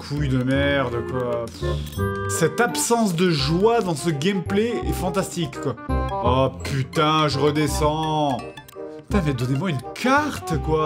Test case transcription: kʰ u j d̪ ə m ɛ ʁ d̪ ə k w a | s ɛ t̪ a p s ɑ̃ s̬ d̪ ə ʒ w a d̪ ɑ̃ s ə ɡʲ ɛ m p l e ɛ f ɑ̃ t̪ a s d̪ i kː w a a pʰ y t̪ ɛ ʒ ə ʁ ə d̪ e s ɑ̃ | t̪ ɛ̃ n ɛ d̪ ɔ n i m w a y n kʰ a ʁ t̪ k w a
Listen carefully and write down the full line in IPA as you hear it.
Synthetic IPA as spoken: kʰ u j d̪ ə m ɛ ʁ d̪ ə k w a | s ɛ t̪ a p s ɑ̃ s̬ d̪ ə ʒ w a d̪ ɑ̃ s ə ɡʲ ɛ m p l e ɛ f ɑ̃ t̪ a s t̪ i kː w a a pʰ y t̪ ɛ̃ ʒ ə ʁ ə d̪ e s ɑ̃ | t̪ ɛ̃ m ɛ d̪ ɔ n e m w a y n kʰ a ʁ t̪ k w a